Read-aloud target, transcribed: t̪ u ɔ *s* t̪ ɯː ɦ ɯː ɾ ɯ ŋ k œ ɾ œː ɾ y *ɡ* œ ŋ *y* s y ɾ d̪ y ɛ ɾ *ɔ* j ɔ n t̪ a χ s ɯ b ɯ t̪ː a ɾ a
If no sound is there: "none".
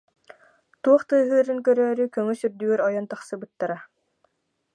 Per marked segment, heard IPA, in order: χ, k, y, ɔ

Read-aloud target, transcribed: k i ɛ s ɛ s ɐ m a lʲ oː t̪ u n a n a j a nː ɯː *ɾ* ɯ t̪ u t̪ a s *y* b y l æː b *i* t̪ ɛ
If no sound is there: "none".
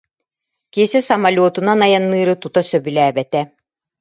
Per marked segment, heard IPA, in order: ɾ, œ, ɛ

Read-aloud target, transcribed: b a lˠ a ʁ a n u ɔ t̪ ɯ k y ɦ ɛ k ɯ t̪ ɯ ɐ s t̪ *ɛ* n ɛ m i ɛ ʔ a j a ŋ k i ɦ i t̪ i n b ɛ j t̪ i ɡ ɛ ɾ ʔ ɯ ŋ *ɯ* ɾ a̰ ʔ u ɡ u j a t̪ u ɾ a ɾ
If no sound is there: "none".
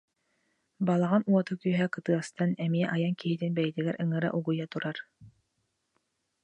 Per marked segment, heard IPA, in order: a, ɯ

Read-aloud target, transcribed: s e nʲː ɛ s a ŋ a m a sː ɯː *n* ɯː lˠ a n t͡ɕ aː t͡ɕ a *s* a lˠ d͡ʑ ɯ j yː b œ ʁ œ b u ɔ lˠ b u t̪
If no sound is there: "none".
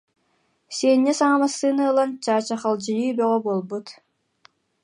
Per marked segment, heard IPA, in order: n, χ

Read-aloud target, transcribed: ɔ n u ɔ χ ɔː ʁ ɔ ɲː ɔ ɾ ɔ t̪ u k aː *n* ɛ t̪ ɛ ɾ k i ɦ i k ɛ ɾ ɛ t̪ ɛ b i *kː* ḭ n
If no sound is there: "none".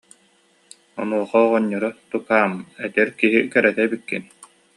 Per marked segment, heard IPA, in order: m, kː

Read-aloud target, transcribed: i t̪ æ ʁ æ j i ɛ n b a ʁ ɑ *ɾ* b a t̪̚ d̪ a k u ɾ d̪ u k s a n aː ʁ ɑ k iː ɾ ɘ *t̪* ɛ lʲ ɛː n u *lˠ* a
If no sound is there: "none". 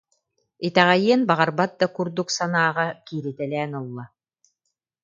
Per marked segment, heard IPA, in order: ɾ, t̪, lˠː

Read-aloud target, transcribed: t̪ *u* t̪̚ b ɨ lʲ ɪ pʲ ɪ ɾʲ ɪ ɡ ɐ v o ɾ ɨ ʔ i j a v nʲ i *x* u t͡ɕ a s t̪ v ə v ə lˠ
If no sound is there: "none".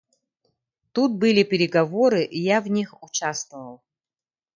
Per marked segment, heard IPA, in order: u, x

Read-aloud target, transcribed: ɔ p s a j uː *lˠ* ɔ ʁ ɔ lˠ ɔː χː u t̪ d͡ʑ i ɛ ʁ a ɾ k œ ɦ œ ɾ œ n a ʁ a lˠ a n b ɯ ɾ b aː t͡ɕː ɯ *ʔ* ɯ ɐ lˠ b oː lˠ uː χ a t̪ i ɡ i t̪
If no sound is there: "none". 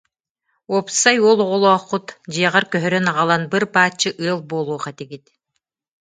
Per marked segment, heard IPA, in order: lˠ, ʔ

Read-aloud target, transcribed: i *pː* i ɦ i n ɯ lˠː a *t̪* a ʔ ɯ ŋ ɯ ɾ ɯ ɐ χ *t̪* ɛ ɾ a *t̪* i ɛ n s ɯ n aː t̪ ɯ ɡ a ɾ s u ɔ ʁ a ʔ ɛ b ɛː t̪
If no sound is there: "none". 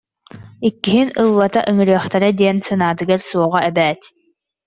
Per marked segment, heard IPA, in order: kː, t̪, t̪, d̪

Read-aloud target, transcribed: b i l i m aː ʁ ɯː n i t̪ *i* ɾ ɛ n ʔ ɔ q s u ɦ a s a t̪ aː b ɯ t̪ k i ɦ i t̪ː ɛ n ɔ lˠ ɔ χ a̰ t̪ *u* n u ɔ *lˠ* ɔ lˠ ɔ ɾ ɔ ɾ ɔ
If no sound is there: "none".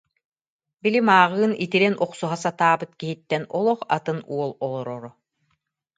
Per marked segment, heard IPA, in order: i, ɯ, lˠ

